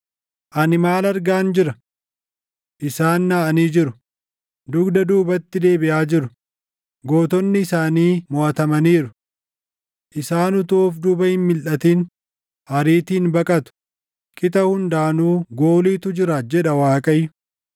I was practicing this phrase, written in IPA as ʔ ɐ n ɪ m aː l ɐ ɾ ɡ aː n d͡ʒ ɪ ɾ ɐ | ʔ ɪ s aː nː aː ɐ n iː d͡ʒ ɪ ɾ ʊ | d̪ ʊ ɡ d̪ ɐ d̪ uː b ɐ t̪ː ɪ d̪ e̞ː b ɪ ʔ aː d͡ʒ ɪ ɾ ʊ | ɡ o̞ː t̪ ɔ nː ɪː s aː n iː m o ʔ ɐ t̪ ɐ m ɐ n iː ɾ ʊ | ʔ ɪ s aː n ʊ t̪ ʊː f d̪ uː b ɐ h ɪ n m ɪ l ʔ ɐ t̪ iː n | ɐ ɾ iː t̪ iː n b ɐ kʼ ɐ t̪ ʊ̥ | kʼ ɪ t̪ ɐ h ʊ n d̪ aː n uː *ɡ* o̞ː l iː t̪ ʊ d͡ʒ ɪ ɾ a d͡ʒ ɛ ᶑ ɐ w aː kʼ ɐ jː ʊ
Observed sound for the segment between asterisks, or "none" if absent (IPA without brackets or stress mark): ɡ